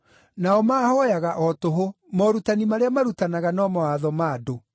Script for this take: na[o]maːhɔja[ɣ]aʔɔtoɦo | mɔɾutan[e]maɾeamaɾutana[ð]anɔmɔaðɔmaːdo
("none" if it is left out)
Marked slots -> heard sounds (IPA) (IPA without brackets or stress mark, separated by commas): ɔ, ɣ, i, ɣ